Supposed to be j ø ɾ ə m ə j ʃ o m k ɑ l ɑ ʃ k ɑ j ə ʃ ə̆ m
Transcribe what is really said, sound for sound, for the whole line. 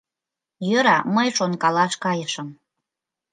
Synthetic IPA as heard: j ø ɾ ɑ m ə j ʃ o n k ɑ l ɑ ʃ k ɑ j ə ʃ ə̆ m